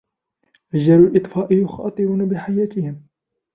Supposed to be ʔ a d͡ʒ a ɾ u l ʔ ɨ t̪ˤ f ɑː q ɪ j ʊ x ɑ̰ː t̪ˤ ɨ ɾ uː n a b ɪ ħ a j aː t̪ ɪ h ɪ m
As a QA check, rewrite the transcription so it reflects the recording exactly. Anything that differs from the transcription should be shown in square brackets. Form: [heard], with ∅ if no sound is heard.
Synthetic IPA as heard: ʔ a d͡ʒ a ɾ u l ʔ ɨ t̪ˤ f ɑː [ʔ] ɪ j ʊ x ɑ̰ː t̪ˤ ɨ ɾ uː n a b ɪ ħ a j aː t̪ ɪ h ɪ m